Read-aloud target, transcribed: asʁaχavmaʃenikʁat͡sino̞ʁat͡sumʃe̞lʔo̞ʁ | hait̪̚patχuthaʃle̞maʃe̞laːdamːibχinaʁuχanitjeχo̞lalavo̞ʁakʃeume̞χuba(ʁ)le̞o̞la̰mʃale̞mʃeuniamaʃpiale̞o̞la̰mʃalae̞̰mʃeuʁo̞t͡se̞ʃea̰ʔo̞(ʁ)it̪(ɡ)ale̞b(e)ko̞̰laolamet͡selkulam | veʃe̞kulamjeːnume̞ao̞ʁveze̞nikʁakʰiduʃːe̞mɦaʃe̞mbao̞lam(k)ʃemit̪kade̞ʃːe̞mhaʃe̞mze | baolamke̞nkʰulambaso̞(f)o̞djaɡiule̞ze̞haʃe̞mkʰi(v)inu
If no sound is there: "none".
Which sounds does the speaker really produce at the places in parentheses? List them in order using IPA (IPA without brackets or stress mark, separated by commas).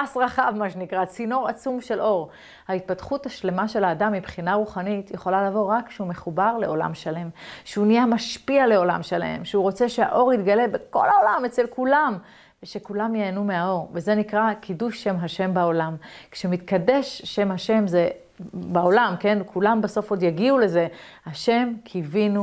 ʁ, ʁ, ɡ, e, k, f, v